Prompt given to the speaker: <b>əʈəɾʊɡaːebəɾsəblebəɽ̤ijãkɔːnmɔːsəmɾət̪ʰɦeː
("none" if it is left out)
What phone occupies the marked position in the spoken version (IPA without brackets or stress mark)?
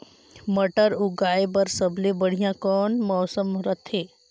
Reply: m